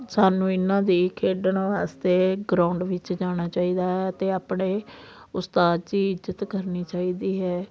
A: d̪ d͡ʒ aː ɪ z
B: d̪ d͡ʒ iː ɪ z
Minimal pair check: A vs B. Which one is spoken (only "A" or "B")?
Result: B